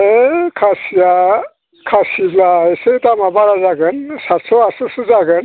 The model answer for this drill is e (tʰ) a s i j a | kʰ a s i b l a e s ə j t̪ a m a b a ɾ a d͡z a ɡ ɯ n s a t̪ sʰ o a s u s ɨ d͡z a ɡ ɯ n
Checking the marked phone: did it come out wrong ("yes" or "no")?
yes